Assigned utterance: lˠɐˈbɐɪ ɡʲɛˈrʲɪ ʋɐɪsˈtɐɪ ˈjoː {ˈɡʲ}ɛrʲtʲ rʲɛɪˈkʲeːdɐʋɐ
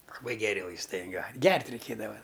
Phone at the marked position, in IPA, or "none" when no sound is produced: ɡʲ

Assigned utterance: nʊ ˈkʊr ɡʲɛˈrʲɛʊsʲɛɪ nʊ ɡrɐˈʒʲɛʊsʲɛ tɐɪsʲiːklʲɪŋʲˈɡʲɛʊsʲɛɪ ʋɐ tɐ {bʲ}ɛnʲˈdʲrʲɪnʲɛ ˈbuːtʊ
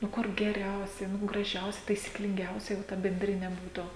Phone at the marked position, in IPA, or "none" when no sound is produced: bʲ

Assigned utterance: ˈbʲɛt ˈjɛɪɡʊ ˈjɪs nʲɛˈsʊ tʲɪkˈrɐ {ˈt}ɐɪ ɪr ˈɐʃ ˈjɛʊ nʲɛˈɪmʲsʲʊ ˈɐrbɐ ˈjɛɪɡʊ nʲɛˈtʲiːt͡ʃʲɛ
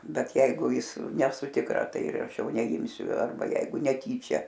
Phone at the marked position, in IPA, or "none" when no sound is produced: t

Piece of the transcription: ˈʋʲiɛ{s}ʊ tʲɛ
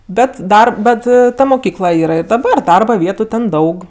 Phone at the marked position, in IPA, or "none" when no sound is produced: t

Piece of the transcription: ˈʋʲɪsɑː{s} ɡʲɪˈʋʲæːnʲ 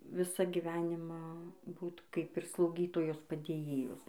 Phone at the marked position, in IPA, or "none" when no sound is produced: none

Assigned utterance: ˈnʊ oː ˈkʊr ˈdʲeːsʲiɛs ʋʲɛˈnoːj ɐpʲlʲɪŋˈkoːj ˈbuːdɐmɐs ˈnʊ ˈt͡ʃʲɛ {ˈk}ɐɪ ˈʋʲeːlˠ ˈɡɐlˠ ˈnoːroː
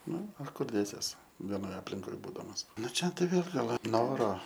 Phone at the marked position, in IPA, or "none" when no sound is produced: t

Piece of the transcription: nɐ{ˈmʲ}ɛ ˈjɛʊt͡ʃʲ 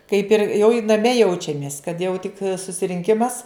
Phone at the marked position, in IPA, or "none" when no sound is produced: mʲ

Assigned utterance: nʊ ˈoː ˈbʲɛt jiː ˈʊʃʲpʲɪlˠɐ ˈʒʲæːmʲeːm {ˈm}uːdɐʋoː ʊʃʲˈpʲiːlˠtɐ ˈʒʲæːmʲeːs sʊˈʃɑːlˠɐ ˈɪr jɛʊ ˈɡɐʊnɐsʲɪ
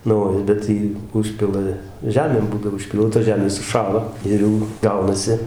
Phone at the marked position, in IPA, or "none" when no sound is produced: b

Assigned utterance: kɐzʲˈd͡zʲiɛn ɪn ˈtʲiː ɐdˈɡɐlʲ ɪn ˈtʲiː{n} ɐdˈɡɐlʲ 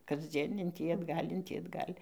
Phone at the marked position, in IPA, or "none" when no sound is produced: none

